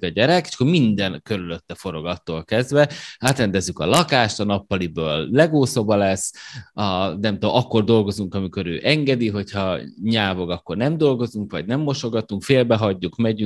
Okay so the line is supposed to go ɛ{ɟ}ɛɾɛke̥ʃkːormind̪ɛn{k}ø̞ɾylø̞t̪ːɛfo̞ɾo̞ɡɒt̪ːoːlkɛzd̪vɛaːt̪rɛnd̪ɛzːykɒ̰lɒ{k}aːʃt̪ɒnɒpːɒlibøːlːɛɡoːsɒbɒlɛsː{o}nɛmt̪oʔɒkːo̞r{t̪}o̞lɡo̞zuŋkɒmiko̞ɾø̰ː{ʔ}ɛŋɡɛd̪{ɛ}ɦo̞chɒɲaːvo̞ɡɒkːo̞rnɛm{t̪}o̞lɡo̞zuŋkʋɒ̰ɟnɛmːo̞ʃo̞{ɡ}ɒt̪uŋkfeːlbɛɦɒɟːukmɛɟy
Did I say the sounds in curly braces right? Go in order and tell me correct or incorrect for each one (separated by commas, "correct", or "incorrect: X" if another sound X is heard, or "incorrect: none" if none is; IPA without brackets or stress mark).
correct, correct, correct, incorrect: ɒ, incorrect: d̪, correct, incorrect: i, incorrect: d̪, correct